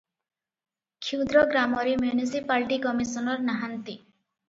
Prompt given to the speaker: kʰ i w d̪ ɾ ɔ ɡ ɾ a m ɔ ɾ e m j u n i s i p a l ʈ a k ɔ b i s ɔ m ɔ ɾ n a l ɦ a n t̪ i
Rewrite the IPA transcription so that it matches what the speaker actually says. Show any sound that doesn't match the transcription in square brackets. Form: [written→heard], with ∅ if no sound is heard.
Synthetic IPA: kʰ i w d̪ ɾ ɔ ɡ ɾ a m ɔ ɾ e m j u n i s i p a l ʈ [a→i] k ɔ [b→m] i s ɔ [m→n] ɔ ɾ n a [l→∅] ɦ a n t̪ i

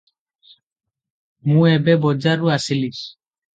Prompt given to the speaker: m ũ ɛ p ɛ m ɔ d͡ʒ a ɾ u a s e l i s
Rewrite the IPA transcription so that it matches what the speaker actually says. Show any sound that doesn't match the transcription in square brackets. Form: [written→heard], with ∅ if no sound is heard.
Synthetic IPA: m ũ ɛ [p→b] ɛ [m→b] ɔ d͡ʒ a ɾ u a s [e→i] l i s

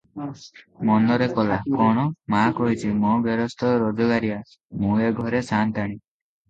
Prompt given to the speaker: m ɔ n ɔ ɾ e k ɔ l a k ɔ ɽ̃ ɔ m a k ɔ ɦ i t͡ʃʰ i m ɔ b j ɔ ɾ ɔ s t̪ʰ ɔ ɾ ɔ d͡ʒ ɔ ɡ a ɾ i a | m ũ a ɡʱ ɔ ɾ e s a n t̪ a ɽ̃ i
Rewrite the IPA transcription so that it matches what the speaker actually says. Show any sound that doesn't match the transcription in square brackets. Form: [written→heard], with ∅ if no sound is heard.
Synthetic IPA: m ɔ n ɔ ɾ e k ɔ l a k ɔ ɽ̃ ɔ m a k ɔ ɦ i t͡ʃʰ i m ɔ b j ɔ ɾ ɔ s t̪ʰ ɔ ɾ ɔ d͡ʒ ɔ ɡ a ɾ i a | m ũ [a→e] ɡʱ ɔ ɾ e s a n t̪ a ɽ̃ i

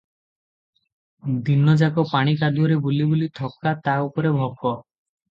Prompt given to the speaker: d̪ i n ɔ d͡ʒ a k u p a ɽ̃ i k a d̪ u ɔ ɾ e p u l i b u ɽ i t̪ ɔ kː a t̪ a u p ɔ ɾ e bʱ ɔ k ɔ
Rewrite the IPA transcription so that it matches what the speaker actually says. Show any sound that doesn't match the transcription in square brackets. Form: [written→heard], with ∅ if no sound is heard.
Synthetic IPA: d̪ i n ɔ d͡ʒ a k [u→ɔ] p a ɽ̃ i k a d̪ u ɔ ɾ e [p→b] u l i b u [ɽ→l] i [t̪→t̪ʰ] ɔ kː a t̪ a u p ɔ ɾ e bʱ ɔ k ɔ

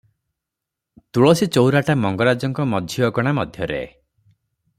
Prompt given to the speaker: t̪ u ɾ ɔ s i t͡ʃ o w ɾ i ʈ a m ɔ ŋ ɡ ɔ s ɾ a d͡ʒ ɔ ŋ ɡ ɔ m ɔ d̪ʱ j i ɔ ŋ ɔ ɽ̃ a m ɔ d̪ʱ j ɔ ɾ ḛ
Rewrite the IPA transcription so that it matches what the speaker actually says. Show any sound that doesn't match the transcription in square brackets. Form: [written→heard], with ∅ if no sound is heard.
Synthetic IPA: t̪ u [ɾ→ɭ] ɔ s i t͡ʃ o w ɾ [i→a] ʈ a m ɔ ŋ ɡ ɔ [s→∅] ɾ a d͡ʒ ɔ ŋ [ɡ→k] ɔ m ɔ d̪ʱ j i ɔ [ŋ→ɡ] ɔ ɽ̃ a m ɔ d̪ʱ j ɔ ɾ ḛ

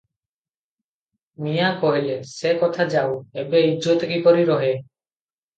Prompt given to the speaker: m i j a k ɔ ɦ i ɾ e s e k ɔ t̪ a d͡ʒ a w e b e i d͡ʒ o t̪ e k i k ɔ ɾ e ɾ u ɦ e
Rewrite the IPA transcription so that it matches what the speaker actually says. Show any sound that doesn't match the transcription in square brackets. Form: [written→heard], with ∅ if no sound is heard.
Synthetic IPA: m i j a k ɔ ɦ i [ɾ→l] e s e k ɔ [t̪→t̪ʰ] a d͡ʒ a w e b e i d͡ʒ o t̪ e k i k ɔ ɾ [e→i] ɾ [u→ɔ] ɦ e

